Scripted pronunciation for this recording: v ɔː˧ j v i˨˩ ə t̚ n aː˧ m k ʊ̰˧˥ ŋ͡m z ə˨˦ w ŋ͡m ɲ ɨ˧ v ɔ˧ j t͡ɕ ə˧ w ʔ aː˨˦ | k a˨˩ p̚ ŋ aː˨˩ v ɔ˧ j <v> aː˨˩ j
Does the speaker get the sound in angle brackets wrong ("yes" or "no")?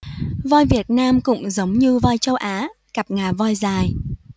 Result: yes